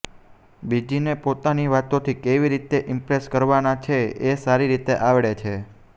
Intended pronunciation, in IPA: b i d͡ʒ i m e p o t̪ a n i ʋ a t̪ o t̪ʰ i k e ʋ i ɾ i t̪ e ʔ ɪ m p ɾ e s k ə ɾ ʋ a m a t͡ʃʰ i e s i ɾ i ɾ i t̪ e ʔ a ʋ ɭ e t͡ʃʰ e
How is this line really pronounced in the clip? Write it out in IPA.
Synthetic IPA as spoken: b i d͡ʒ i n e p o t̪ a n i ʋ a t̪ o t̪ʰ i k e ʋ i ɾ i t̪ e ʔ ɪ m p ɾ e s k ə ɾ ʋ a n a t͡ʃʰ e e s a ɾ i ɾ i t̪ e ʔ a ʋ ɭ e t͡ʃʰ e